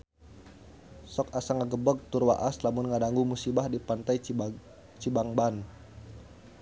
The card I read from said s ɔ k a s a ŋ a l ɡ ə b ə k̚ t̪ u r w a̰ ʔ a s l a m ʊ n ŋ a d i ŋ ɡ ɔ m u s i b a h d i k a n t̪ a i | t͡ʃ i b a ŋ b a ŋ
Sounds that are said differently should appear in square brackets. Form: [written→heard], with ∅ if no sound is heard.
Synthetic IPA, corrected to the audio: s ɔ k a s a ŋ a [l→∅] ɡ ə b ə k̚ t̪ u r w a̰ ʔ a s l a m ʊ n ŋ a d [i→a] ŋ ɡ [ɔ→u] m u s i b a h d i [k→p] a n t̪ a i | t͡ʃ i b a ŋ b a [ŋ→n]